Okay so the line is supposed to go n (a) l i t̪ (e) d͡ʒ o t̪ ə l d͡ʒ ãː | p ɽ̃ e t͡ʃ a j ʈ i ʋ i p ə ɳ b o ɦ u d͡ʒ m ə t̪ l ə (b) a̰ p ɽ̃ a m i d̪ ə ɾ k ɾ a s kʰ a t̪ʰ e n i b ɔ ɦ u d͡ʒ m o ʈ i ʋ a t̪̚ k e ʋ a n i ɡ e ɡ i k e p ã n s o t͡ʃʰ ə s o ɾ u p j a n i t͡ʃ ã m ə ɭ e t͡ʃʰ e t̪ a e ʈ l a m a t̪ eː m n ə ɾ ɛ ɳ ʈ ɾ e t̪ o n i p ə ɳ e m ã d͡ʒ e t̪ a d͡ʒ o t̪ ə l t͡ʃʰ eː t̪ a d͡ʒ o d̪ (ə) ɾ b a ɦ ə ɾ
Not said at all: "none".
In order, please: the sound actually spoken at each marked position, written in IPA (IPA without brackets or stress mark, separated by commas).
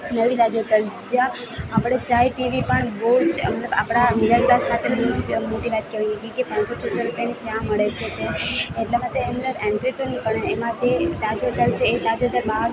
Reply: ə, a, b, ə